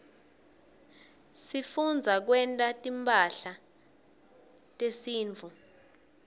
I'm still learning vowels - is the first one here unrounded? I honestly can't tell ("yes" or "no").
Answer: yes